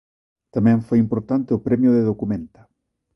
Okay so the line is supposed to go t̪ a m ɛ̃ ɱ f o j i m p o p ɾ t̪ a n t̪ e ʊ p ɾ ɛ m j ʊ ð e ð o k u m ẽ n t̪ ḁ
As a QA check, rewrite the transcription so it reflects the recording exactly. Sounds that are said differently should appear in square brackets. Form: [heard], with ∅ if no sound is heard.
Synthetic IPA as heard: t̪ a m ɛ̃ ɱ f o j i m p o [∅] ɾ t̪ a n t̪ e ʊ p ɾ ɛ m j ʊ ð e ð o k u m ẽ n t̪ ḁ